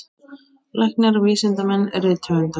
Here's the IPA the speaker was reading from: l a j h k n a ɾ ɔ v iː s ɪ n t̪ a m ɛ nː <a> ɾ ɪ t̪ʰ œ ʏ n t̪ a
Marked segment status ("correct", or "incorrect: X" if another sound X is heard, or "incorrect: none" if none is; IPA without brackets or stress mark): incorrect: ɛ